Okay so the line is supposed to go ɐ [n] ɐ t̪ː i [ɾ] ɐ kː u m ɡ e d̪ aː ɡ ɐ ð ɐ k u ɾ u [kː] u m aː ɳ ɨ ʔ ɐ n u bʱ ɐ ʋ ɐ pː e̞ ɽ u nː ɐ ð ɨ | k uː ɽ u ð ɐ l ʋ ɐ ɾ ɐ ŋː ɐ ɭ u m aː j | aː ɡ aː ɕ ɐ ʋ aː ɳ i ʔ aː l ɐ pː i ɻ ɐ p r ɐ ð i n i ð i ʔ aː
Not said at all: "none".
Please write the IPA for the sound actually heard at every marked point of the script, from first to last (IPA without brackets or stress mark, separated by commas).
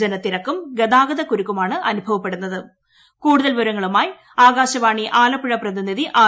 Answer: n, ɾ, kː